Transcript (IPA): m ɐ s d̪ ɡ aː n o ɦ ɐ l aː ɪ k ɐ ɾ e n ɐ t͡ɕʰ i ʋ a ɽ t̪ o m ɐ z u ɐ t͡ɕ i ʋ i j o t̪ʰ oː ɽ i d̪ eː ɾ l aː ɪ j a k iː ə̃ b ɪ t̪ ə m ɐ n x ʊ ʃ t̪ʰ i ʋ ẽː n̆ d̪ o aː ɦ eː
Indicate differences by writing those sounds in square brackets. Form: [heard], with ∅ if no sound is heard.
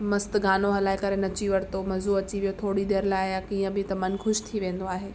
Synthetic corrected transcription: m ɐ s [t̪] ɡ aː n o ɦ ɐ l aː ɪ k ɐ ɾ e n ɐ [t͡ɕ] i ʋ [ɐ] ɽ t̪ o m ɐ z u ɐ t͡ɕ i ʋ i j o t̪ʰ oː ɽ i d̪ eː ɾ l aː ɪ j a k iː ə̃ b ɪ t̪ [ɐ] m ɐ n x ʊ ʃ t̪ʰ i ʋ ẽː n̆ d̪ o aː ɦ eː